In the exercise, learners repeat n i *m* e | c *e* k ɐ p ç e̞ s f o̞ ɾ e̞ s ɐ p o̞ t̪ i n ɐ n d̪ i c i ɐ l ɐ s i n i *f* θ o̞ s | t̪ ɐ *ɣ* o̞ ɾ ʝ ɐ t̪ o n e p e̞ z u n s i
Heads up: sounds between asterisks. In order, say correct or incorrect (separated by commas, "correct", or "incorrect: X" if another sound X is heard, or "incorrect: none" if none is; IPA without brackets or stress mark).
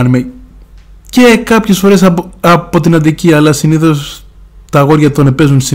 correct, correct, incorrect: none, correct